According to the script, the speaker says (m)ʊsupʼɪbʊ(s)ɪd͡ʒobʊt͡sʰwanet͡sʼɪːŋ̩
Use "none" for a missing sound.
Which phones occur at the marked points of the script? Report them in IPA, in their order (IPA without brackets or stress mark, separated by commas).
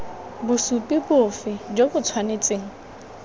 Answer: b, f